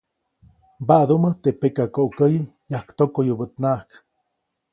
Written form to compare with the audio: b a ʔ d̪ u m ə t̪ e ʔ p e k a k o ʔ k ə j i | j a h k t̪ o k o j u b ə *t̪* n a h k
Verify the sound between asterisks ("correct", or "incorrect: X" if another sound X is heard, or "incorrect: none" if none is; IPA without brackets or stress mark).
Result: correct